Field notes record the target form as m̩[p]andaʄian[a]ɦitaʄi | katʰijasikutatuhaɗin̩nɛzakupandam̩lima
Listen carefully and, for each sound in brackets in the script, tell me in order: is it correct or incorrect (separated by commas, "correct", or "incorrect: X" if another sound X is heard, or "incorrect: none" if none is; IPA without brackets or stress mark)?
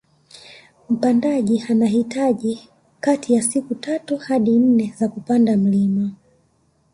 correct, correct